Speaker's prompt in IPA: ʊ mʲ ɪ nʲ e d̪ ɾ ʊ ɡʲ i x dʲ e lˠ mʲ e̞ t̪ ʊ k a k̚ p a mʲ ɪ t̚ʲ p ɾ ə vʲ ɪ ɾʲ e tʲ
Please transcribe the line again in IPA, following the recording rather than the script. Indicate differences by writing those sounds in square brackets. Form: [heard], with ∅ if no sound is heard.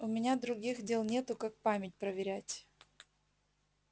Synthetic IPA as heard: ʊ mʲ ɪ nʲ [a] d̪ ɾ ʊ ɡʲ i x dʲ e lˠ [nʲ] e̞ t̪ ʊ k a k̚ p a mʲ ɪ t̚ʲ p ɾ ə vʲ ɪ ɾʲ [æ] tʲ